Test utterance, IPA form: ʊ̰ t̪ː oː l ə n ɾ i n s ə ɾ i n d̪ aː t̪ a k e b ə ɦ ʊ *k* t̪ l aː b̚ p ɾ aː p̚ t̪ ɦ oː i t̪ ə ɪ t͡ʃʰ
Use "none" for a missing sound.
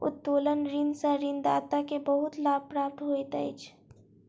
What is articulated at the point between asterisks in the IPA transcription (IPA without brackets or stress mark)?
none